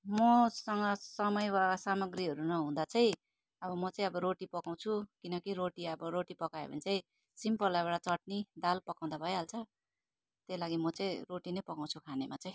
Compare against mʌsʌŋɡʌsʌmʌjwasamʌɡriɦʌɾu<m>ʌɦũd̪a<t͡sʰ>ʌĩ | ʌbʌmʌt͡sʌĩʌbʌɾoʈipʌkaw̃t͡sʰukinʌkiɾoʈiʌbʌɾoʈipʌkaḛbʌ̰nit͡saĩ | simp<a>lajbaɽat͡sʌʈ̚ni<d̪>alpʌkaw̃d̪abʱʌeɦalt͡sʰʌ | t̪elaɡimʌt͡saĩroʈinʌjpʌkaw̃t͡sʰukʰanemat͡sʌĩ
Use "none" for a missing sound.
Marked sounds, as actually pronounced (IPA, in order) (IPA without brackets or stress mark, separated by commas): n, t͡s, ʌ, d̪